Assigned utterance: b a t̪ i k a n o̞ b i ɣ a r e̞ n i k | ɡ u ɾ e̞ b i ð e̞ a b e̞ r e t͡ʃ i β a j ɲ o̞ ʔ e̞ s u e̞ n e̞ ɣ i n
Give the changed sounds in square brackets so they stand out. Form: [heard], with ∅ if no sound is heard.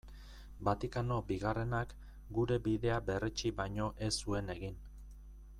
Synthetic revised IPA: b a t̪ i k a n o̞ b i ɣ a r e̞ n [a] k | ɡ u ɾ e̞ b i ð e̞ a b e̞ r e t͡ʃ i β a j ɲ o̞ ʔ e̞ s u e̞ n e̞ ɣ i n